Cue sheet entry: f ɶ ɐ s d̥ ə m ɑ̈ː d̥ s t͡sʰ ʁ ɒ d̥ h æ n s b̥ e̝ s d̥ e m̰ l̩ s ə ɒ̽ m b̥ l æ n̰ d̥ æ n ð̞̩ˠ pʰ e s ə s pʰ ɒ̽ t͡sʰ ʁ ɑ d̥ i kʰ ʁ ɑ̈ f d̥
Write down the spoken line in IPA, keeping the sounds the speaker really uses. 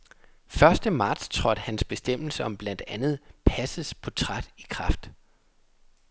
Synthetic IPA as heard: f ɶ ɐ s d̥ ə m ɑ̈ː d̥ s t͡sʰ ʁ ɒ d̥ h æ n s b̥ e̝ s d̥ e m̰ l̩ s ə ɒ̽ m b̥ l æ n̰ d̥ æ n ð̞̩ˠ pʰ æ s ə s pʰ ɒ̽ t͡sʰ ʁ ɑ d̥ i kʰ ʁ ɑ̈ f d̥